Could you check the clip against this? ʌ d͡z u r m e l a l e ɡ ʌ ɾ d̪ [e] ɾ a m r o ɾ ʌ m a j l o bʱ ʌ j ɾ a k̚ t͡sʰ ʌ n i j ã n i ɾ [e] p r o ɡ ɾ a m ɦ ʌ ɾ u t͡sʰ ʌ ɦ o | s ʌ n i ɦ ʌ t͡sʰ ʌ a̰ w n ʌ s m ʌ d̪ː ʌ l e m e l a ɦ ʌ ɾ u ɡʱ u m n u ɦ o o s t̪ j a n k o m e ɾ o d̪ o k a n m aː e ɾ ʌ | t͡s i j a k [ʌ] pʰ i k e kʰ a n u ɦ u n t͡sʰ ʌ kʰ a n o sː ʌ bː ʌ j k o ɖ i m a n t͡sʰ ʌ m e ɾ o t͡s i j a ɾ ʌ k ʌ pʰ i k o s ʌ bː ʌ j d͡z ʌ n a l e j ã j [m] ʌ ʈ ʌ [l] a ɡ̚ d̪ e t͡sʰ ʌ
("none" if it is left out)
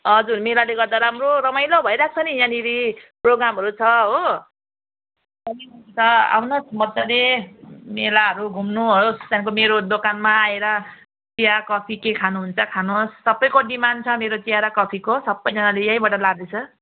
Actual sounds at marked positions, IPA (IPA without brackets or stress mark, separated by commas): a, i, ʌ, b, l